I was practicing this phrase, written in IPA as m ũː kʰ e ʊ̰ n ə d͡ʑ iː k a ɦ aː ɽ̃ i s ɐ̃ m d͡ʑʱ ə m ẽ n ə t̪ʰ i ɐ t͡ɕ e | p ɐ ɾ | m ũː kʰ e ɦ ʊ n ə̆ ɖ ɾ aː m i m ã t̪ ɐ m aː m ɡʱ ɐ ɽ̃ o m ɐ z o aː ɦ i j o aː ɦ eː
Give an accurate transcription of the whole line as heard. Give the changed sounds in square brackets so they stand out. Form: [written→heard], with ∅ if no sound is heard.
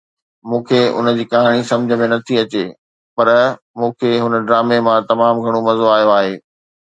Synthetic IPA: m ũː kʰ e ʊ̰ n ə d͡ʑ iː k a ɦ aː ɽ̃ i s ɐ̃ m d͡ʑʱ ə m ẽ n [ə→ɐ] t̪ʰ i ɐ t͡ɕ e | p ɐ ɾ | m ũː kʰ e ɦ ʊ n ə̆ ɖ ɾ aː m [i→e] m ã t̪ ɐ m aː m ɡʱ ɐ ɽ̃ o m ɐ z o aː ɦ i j o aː ɦ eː